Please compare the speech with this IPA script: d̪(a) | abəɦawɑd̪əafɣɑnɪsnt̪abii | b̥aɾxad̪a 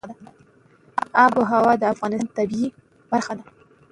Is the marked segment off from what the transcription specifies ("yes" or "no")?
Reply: no